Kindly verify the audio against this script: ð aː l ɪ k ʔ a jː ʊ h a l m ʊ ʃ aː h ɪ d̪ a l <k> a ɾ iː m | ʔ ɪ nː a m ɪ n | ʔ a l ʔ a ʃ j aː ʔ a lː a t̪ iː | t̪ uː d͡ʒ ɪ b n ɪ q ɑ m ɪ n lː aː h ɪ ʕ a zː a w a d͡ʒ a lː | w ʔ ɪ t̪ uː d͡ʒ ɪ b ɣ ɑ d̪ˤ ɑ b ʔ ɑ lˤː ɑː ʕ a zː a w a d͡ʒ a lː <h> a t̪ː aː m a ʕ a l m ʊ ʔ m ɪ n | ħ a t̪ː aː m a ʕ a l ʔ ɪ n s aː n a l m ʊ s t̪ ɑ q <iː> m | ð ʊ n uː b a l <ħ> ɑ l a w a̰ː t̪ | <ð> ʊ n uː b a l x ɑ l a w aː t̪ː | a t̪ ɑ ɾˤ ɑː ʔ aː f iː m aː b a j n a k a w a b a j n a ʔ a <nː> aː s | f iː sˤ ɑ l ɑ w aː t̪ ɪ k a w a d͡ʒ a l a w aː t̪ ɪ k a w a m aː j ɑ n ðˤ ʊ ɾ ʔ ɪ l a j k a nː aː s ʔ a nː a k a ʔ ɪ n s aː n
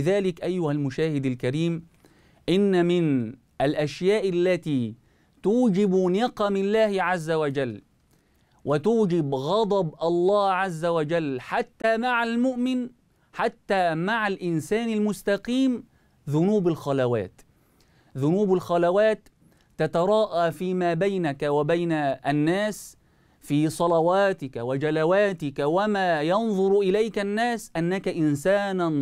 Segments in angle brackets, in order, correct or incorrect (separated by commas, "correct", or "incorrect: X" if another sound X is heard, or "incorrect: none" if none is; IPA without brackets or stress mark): correct, incorrect: ħ, correct, incorrect: x, correct, correct